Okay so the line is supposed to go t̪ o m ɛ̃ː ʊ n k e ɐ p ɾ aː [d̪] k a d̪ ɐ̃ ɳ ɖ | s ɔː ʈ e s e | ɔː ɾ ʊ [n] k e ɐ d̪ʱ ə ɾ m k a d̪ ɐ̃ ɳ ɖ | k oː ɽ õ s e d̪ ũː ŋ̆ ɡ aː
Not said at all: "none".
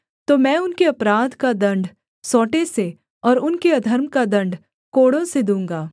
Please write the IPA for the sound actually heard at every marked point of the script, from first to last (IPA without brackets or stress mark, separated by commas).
d̪, n